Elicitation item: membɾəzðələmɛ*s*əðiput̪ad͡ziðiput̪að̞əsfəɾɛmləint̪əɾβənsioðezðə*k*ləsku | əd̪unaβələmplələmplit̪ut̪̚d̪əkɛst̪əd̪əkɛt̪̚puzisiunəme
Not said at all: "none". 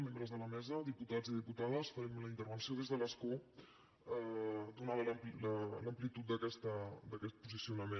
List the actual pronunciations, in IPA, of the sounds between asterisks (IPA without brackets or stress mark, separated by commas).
z, none